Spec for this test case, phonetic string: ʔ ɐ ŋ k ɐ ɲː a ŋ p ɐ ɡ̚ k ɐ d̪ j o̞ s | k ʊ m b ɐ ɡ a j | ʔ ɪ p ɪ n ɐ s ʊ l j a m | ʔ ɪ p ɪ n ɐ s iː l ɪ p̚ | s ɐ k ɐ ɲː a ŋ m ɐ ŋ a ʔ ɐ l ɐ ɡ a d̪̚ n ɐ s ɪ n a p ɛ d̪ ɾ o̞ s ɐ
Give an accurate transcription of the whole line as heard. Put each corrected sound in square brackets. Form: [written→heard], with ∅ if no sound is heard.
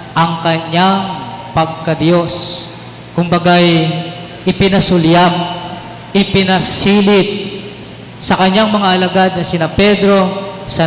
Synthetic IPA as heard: ʔ ɐ ŋ k ɐ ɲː a ŋ p ɐ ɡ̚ k ɐ d̪ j o̞ s | k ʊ m b ɐ ɡ a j | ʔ ɪ p ɪ n ɐ s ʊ l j a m | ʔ ɪ p ɪ n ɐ s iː l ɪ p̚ | s ɐ k ɐ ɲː a ŋ m ɐ ŋ a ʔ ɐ l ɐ ɡ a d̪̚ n ɐ s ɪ n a p ɛ d̪ ɾ o̞ s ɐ